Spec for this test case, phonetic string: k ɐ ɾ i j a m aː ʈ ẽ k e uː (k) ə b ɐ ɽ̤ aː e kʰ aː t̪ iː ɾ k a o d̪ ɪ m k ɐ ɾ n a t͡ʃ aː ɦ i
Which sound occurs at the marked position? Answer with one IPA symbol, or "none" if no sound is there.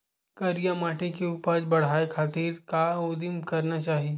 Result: p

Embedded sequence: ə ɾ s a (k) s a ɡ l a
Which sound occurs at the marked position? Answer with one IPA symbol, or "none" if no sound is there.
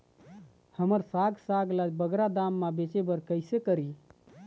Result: ɡ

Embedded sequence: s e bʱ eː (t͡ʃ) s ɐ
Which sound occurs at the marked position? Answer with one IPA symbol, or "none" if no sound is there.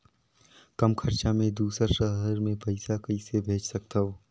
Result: t͡ʃ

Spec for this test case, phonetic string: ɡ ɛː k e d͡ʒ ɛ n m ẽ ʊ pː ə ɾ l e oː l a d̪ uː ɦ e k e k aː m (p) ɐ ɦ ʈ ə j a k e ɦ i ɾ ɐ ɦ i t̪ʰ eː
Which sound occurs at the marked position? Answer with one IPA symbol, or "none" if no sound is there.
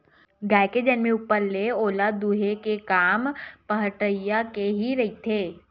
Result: p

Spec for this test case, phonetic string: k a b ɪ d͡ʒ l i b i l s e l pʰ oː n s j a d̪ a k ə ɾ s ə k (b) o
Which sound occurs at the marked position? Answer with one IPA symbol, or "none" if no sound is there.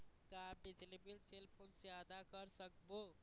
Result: b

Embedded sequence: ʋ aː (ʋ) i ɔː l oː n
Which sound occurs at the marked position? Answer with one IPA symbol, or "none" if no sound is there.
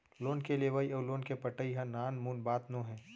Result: none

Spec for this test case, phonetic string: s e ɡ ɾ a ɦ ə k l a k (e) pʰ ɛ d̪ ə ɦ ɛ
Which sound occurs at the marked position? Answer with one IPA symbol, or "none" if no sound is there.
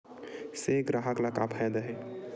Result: a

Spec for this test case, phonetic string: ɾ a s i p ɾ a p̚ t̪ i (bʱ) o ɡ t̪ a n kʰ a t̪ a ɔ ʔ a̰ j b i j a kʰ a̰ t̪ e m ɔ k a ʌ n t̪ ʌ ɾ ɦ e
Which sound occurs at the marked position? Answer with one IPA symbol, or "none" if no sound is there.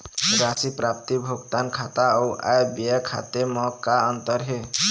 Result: bʱ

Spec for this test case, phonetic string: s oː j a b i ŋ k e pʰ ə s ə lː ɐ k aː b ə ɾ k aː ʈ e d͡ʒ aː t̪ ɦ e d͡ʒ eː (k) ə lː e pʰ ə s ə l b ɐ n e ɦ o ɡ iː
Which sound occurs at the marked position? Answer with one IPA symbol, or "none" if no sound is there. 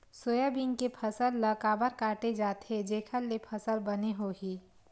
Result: kʰ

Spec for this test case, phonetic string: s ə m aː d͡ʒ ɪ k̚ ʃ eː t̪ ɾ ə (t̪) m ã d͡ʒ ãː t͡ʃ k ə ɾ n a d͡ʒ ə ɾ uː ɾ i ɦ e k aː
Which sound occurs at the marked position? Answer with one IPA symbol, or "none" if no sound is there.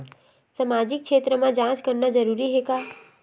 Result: none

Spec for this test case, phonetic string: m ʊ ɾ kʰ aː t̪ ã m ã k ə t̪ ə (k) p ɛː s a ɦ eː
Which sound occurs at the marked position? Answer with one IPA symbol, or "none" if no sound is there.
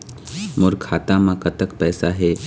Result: k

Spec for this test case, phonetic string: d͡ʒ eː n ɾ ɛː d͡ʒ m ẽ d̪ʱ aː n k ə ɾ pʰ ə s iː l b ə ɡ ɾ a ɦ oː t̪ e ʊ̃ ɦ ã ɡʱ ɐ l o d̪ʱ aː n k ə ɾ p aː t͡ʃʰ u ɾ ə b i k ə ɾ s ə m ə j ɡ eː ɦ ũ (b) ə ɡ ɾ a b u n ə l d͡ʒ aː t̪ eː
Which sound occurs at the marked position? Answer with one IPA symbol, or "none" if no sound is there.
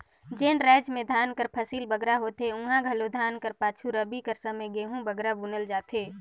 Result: b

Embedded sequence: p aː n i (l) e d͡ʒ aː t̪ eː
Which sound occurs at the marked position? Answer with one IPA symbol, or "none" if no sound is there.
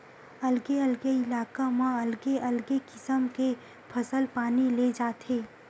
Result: l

